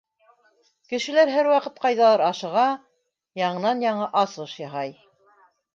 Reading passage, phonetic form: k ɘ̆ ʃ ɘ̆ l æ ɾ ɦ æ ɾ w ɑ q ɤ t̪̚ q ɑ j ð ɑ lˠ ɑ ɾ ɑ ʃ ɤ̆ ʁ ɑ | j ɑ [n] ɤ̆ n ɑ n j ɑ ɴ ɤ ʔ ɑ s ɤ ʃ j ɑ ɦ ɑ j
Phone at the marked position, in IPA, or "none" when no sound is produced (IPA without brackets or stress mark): ɴ